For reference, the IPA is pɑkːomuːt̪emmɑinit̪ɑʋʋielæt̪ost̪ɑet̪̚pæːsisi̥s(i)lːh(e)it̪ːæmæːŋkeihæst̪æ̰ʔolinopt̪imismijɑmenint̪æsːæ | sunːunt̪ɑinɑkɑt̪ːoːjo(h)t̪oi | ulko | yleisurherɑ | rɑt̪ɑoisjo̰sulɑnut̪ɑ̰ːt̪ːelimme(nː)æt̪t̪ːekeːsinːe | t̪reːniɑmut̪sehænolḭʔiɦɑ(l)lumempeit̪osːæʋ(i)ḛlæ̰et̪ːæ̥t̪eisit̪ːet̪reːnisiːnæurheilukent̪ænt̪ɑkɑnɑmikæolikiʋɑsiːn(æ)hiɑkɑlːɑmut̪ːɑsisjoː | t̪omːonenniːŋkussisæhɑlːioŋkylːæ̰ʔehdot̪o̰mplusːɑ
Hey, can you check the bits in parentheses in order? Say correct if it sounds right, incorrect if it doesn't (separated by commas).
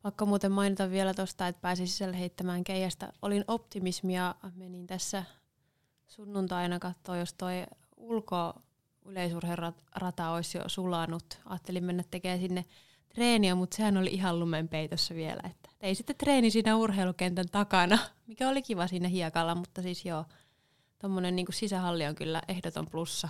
incorrect, correct, incorrect, correct, correct, correct, correct